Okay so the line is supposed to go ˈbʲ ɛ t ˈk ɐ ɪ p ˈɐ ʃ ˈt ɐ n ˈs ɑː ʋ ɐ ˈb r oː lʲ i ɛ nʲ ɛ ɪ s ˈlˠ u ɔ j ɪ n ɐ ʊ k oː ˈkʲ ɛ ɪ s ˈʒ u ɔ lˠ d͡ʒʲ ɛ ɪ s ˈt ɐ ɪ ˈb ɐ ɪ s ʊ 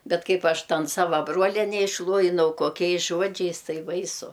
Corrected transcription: ˈbʲ ɛ t ˈk ɐ ɪ p ˈɐ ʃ ˈt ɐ n ˈs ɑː ʋ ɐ ˈb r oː lʲ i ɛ nʲ ɛ ɪ ʃ ˈlˠ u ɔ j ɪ n ɐ ʊ k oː ˈkʲ ɛ ɪ s ˈʒ u ɔ d͡ʒʲ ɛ ɪ s ˈt ɐ ɪ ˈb ɐ ɪ s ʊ